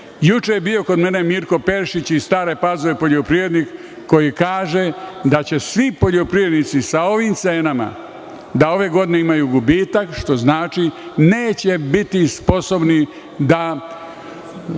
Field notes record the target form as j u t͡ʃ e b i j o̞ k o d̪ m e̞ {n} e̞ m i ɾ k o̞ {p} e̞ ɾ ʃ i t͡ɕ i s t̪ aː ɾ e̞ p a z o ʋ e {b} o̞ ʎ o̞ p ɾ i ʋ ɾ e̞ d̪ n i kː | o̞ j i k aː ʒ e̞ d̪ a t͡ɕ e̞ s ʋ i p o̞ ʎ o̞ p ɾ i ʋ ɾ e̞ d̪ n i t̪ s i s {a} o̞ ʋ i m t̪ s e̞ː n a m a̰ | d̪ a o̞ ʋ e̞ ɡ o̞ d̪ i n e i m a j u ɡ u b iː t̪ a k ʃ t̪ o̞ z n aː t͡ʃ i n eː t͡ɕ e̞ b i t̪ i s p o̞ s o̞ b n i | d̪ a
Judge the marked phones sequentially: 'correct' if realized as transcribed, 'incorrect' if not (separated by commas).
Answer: correct, correct, incorrect, correct